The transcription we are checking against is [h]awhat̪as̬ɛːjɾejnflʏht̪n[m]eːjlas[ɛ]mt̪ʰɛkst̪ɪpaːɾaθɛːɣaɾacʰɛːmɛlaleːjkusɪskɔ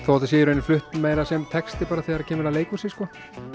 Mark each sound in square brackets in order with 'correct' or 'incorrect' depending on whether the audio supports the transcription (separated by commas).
incorrect, correct, correct